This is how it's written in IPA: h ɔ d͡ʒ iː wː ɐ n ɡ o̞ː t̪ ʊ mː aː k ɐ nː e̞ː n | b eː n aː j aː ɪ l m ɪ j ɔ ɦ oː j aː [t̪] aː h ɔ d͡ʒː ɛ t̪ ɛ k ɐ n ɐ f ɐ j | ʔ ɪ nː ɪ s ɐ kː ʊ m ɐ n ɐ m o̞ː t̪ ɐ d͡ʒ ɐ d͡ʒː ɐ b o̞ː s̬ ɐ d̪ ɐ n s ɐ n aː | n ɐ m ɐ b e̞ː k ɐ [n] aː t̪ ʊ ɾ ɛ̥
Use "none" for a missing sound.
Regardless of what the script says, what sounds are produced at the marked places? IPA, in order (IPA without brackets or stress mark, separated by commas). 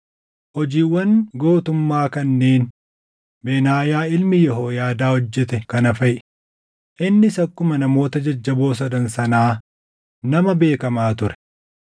d̪, m